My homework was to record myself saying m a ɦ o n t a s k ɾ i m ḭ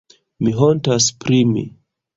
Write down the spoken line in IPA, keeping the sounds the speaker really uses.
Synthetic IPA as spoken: m i ɦ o n t a s p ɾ i m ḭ